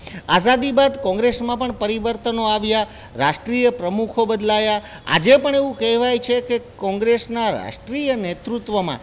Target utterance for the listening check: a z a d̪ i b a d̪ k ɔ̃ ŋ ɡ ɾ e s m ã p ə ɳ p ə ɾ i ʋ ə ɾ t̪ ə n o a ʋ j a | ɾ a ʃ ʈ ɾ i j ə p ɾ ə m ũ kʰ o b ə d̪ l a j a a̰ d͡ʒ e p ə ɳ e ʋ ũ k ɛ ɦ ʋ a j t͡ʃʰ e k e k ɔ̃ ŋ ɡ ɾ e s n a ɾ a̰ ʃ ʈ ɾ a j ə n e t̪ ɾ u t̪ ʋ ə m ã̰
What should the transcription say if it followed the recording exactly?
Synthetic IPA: a z a d̪ i b a d̪ k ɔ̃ ŋ ɡ ɾ e s m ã p ə ɳ p ə ɾ i ʋ ə ɾ t̪ ə n o a ʋ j a | ɾ a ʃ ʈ ɾ i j ə p ɾ ə m u kʰ o b ə d̪ l a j a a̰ d͡ʒ e p ə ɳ e ʋ ũ k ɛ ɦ ʋ a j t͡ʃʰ e k e k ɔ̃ ŋ ɡ ɾ e s n a ɾ a̰ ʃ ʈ ɾ i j ə n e t̪ ɾ u t̪ ʋ ə m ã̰